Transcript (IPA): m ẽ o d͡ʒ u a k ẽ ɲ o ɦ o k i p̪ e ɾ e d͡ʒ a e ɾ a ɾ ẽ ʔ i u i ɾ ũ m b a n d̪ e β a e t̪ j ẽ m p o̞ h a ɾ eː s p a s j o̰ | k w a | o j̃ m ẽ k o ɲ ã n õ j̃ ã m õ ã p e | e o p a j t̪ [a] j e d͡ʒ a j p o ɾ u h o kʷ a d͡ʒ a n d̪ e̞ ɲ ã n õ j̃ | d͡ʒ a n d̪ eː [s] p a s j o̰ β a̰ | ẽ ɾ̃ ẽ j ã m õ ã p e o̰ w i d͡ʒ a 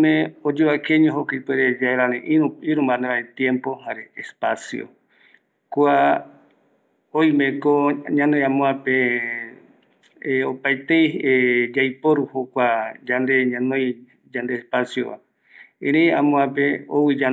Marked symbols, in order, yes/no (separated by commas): no, yes